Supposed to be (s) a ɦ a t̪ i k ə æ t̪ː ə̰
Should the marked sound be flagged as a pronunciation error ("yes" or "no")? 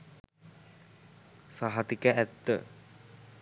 no